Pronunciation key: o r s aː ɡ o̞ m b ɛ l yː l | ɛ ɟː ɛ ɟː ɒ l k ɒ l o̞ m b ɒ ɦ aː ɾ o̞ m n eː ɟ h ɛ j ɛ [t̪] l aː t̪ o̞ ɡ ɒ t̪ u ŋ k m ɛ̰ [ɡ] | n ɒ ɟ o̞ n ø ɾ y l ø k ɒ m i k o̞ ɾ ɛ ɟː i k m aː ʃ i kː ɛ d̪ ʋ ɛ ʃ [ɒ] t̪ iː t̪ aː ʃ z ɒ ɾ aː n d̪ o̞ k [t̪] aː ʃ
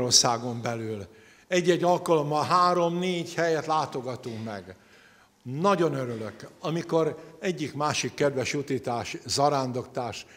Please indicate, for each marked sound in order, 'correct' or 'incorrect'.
correct, correct, incorrect: u, correct

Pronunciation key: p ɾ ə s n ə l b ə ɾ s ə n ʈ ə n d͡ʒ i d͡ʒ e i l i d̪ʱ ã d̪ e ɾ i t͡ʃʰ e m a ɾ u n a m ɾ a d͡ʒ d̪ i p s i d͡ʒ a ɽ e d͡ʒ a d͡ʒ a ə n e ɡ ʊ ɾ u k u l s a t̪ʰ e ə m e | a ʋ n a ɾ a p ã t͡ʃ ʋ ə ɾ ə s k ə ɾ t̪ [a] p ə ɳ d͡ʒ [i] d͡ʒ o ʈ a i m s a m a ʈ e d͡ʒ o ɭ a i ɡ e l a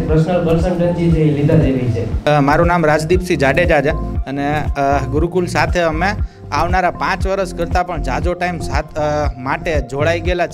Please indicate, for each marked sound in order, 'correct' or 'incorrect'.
correct, incorrect: a

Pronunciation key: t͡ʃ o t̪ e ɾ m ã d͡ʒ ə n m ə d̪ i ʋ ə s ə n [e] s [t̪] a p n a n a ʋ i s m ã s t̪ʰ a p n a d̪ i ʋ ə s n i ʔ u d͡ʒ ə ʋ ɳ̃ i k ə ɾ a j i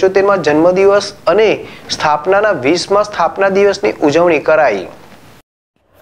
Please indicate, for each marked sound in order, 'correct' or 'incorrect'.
correct, incorrect: t̪ʰ

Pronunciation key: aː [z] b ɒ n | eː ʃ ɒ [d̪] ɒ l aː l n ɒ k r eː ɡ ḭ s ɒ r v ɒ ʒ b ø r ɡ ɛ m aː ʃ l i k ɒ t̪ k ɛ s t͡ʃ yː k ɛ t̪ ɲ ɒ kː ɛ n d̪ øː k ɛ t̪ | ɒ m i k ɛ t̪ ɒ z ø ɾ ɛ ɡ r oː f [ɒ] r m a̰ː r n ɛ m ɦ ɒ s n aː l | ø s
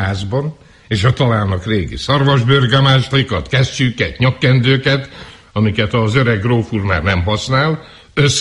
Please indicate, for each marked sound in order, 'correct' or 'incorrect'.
correct, incorrect: t̪, incorrect: u

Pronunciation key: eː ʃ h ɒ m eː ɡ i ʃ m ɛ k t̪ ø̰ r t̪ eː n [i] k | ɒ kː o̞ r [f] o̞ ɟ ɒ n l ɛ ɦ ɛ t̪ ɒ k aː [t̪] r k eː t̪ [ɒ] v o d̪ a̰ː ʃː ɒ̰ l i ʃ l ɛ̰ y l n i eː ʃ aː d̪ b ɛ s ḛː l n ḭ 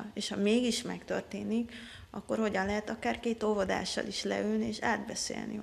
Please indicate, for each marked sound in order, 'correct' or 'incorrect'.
correct, incorrect: h, incorrect: none, incorrect: o

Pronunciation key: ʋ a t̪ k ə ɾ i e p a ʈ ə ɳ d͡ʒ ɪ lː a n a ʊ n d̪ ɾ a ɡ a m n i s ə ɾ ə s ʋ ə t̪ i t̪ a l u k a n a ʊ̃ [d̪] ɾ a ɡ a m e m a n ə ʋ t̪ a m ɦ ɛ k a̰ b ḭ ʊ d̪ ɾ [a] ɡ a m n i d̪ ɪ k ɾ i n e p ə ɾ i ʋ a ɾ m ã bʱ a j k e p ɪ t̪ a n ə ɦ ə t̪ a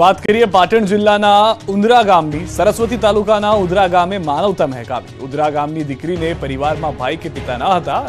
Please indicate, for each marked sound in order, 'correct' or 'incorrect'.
correct, correct

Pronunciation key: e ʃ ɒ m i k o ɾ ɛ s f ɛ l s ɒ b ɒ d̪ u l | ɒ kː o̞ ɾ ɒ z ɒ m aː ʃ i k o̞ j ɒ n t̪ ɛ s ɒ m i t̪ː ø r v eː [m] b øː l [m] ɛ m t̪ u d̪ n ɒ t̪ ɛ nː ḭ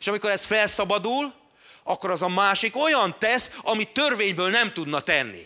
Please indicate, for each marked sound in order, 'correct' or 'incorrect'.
incorrect: ɲ, incorrect: n

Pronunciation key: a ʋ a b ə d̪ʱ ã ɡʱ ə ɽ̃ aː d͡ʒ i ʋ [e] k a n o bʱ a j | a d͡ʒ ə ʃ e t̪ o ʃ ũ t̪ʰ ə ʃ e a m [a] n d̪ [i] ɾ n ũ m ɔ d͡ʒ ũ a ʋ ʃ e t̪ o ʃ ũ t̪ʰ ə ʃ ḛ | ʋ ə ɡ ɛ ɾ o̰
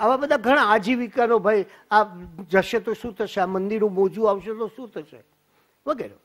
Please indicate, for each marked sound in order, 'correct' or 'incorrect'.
incorrect: i, incorrect: ə, correct

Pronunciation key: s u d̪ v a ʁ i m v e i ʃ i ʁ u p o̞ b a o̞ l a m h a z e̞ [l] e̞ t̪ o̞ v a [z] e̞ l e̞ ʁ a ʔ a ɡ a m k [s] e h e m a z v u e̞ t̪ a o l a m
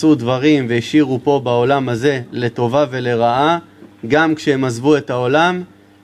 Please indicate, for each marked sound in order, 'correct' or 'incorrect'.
correct, incorrect: v, incorrect: ʃ

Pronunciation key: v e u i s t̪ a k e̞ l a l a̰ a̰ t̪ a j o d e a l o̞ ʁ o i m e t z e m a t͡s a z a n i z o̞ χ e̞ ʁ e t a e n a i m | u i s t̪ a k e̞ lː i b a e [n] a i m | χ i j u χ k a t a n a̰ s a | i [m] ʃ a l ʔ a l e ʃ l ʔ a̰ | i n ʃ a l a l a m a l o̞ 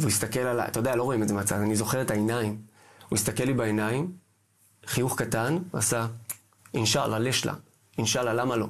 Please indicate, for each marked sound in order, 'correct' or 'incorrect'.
correct, incorrect: n

